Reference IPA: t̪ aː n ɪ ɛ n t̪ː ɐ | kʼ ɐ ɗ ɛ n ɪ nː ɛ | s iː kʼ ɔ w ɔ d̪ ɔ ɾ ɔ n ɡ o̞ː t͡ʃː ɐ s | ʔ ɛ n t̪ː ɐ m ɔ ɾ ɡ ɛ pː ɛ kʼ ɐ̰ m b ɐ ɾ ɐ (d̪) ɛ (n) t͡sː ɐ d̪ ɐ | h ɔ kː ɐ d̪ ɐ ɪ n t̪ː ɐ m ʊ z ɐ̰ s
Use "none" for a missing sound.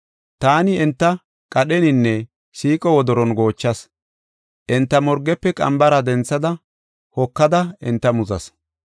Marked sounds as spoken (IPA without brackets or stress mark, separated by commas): d̪, n